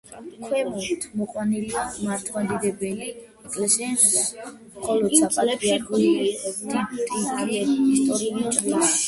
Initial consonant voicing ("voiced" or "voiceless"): voiceless